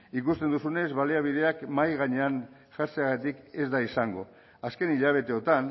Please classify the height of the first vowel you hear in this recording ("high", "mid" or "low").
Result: high